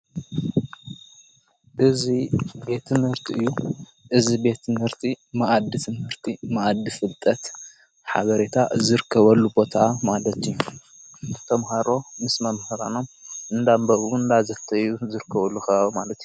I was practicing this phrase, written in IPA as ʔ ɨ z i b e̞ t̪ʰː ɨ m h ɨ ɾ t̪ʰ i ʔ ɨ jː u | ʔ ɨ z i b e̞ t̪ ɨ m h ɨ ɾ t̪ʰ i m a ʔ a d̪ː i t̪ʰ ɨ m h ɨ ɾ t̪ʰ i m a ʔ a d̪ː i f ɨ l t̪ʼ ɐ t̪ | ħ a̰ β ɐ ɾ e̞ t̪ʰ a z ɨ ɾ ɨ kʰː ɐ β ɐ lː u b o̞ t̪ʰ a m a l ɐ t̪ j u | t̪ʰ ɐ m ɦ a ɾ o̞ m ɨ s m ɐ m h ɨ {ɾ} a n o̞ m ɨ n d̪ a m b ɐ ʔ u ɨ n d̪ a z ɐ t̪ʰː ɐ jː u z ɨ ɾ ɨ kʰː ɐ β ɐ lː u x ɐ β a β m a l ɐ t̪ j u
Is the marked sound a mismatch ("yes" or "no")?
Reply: no